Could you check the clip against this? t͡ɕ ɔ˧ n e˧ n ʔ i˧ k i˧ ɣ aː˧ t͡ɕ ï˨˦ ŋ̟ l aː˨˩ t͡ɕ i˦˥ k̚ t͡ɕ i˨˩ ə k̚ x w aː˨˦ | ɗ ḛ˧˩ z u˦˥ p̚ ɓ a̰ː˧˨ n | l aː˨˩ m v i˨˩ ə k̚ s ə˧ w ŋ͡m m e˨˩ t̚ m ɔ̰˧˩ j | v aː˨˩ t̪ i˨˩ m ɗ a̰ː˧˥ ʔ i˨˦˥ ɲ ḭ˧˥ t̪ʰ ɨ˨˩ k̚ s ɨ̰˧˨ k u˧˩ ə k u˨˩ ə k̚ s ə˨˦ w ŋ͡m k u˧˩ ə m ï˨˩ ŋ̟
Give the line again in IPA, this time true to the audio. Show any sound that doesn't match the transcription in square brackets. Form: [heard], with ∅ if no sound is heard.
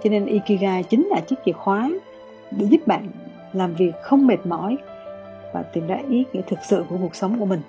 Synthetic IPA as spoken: t͡ɕ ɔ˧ n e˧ n ʔ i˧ k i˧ ɣ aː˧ t͡ɕ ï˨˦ ŋ̟ l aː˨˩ t͡ɕ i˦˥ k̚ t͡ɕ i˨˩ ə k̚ x w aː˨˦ | ɗ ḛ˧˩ z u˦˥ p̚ ɓ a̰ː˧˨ n | l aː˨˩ m v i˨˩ ə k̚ [x] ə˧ w ŋ͡m m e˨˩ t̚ m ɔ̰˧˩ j | v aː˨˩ t̪ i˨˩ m ɗ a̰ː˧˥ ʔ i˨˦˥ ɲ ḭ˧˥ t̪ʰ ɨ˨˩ k̚ s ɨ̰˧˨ k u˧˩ ə k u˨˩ ə k̚ s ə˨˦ w ŋ͡m k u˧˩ ə m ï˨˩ ŋ̟